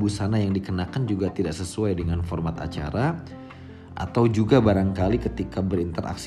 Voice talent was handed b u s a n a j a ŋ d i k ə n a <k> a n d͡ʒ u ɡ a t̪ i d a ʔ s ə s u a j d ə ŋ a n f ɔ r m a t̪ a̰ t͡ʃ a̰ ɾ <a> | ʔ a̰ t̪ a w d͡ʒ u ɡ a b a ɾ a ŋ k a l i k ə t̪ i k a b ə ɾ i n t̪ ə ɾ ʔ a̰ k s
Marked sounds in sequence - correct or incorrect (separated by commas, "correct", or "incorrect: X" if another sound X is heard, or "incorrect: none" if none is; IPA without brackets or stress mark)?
correct, correct